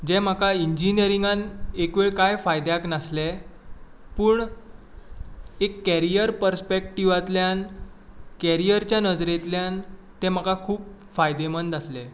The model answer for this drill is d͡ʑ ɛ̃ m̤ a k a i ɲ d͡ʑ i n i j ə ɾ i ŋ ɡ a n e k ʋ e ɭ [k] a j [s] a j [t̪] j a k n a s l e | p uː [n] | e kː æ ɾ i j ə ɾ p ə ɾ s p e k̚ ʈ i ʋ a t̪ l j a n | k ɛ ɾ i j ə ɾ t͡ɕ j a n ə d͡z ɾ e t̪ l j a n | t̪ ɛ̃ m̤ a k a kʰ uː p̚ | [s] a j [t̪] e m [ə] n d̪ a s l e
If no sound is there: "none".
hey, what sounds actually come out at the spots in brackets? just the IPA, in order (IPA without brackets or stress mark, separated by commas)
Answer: k, f, d̪, ɳ, f, d̪, ə